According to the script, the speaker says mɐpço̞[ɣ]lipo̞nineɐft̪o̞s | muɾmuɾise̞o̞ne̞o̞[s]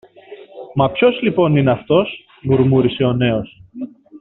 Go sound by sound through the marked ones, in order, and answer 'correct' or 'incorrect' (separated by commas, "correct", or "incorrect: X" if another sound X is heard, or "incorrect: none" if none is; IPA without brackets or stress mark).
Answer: incorrect: z, correct